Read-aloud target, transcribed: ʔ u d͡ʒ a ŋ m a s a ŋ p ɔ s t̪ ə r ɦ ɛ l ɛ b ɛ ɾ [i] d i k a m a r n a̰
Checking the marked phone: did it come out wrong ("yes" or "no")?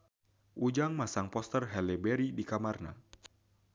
no